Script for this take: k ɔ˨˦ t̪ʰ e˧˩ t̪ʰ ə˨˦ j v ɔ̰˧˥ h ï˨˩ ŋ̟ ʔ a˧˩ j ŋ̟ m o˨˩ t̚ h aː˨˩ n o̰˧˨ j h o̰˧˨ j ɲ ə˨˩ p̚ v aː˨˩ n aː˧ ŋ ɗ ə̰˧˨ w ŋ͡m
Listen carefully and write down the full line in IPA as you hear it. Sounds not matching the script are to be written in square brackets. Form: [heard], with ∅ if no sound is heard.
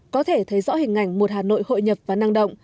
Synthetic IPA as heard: k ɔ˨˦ t̪ʰ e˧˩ t̪ʰ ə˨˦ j [z] ɔ̰˧˥ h ï˨˩ ŋ̟ ʔ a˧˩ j ŋ̟ m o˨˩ t̚ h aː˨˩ n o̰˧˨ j h o̰˧˨ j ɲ ə˨˩ p̚ v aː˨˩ n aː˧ ŋ ɗ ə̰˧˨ w ŋ͡m